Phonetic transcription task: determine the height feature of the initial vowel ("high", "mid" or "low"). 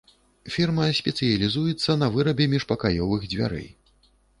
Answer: high